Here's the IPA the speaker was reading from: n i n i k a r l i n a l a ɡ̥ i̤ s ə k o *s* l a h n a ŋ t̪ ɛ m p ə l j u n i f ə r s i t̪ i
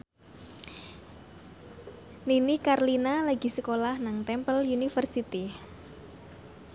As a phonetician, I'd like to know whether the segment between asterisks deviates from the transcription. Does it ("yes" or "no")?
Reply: yes